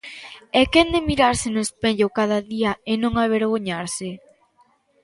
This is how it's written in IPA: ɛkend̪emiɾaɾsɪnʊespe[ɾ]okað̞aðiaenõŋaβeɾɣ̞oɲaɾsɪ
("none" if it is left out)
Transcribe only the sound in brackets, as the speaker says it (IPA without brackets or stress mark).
ʎ